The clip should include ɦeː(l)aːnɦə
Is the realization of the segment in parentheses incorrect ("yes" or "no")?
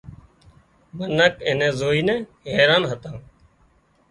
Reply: yes